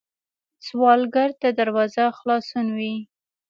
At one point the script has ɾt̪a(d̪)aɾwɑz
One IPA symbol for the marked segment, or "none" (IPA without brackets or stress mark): d̪